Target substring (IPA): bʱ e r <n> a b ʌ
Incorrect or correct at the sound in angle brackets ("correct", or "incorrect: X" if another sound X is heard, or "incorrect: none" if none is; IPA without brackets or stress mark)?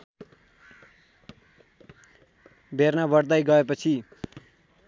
correct